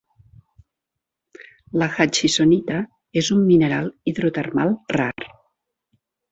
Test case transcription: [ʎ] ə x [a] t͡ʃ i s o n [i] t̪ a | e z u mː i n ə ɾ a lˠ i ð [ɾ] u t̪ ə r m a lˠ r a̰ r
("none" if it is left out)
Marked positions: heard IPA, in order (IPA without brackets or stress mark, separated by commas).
l, a, i, ɾ